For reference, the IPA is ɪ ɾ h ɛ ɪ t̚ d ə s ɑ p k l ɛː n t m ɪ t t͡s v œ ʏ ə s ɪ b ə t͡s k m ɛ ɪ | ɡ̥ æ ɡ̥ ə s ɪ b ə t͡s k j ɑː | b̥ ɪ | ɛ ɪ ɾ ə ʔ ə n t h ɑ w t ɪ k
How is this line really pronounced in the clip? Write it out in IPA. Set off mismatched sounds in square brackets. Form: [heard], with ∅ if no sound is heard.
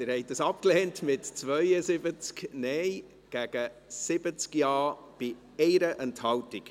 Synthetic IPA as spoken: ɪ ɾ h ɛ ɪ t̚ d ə s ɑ p k l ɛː n t m ɪ t t͡s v œ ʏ ə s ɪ b ə t͡s k [n] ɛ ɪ | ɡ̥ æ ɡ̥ ə s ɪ b ə t͡s k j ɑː | b̥ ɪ | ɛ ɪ ɾ ə ʔ ə n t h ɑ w t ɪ k